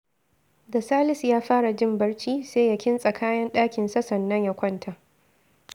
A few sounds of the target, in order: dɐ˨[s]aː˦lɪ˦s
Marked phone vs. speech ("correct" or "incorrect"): correct